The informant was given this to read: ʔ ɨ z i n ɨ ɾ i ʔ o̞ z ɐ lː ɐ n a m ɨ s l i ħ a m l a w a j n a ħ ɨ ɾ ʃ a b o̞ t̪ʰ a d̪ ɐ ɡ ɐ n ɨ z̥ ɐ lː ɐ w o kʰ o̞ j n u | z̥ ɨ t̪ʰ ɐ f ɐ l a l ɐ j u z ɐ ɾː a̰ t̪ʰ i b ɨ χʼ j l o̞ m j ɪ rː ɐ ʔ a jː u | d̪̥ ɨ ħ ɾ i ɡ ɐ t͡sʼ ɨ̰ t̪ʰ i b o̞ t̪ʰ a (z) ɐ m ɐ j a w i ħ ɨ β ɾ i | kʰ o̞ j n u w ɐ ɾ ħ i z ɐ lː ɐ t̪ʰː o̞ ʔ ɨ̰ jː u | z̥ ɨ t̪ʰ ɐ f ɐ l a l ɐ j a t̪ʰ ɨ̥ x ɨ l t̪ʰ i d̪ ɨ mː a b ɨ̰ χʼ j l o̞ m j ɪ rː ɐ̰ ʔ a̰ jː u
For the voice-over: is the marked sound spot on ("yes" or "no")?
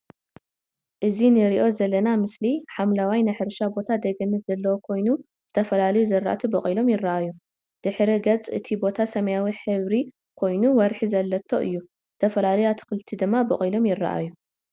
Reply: no